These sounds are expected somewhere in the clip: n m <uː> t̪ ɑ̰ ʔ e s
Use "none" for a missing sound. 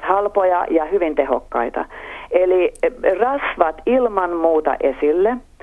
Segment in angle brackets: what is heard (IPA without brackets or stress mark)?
uː